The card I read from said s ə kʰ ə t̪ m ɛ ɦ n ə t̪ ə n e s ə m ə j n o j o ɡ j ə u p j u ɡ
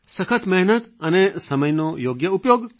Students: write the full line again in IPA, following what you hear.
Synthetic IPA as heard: s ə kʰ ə t̪ m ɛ ɦ n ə t̪ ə n e s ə m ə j n o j o ɡ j ə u p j o ɡ